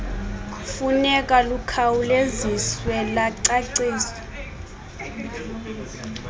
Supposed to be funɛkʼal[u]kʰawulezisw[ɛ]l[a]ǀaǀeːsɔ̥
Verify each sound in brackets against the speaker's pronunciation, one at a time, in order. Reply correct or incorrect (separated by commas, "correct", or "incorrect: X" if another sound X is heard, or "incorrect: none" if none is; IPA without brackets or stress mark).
correct, correct, correct